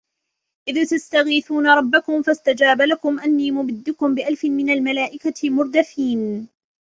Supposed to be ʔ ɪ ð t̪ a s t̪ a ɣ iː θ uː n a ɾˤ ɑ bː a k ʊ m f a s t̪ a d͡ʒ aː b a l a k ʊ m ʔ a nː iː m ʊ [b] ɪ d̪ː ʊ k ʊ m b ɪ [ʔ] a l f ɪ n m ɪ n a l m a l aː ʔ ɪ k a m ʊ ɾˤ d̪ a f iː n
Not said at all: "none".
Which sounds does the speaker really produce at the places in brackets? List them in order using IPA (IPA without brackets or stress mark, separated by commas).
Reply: b, ʔ